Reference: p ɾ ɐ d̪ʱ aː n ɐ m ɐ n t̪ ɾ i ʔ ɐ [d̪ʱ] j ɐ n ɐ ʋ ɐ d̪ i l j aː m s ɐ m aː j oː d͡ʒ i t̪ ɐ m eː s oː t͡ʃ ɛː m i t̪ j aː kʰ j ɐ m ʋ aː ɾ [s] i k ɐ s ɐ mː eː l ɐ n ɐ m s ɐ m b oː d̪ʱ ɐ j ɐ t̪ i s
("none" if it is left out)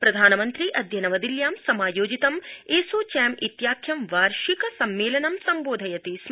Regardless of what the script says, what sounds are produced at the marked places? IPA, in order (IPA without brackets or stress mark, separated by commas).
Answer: d̪ʱ, ʃ